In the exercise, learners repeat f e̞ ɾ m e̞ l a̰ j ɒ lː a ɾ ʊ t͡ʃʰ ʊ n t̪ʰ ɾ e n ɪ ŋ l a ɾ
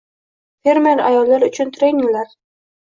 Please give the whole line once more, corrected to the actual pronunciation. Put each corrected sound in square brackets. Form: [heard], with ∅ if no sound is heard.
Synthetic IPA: f e̞ ɾ m e̞ [ɾ] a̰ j ɒ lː a ɾ ʊ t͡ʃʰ ʊ n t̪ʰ ɾ e n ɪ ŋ l a ɾ

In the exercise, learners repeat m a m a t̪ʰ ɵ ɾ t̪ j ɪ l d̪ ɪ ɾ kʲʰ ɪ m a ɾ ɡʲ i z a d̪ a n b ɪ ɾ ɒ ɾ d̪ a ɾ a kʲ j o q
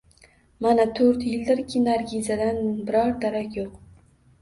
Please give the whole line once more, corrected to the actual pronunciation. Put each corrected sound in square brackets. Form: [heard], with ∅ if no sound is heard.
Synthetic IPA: m a [n] a t̪ʰ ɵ ɾ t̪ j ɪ l d̪ ɪ ɾ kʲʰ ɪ [n] a ɾ ɡʲ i z a d̪ a n b ɪ ɾ ɒ ɾ d̪ a ɾ a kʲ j o q

